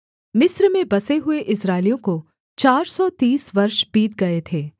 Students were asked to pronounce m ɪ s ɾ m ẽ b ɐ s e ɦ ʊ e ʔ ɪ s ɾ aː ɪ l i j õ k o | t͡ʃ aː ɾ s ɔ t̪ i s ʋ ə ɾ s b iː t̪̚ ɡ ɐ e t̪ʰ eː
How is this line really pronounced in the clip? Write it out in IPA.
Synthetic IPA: m ɪ s ɾ m ẽ b ɐ s e ɦ ʊ e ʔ ɪ s ɾ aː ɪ l i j õ k o | t͡ʃ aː ɾ s ɔ t̪ iː s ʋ ɐ ɾ ʃ b iː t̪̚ ɡ ɐ e t̪ʰ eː